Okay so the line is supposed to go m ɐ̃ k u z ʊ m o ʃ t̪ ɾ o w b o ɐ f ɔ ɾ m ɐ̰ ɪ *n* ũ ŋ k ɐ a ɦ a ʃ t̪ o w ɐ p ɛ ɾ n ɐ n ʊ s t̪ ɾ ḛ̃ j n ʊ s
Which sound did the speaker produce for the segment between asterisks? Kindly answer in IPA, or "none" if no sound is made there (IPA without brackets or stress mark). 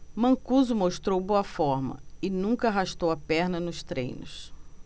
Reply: n